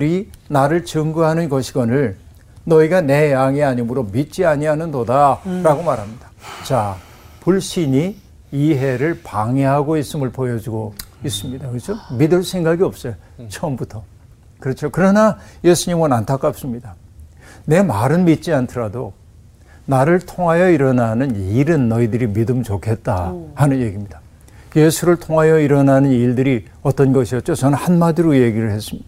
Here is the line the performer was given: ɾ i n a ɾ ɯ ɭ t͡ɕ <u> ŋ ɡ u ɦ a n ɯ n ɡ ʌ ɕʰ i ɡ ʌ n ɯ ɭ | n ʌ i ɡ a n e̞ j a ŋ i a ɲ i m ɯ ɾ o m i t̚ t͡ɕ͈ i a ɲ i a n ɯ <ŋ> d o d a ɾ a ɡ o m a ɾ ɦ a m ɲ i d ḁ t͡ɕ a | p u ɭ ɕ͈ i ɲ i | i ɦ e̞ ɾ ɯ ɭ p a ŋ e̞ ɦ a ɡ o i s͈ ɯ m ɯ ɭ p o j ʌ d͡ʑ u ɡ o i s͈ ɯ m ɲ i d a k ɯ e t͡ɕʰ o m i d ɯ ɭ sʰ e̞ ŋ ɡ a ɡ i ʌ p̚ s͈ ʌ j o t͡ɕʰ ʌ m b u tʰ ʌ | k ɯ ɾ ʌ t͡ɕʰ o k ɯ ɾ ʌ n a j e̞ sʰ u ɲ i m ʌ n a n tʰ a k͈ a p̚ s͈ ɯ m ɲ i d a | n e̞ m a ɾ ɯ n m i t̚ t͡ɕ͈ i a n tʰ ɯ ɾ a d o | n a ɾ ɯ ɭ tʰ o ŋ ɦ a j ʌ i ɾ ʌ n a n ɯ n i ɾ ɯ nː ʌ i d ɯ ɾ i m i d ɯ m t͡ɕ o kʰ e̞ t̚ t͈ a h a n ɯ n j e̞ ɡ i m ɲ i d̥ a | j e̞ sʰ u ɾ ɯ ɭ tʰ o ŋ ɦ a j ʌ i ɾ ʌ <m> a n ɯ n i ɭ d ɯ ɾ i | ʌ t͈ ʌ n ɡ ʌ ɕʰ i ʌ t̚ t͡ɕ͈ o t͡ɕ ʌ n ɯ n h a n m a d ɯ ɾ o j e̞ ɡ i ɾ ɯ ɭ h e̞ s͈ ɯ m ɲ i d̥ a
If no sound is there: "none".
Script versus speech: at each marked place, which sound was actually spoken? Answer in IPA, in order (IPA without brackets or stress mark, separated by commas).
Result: ɯ, n, n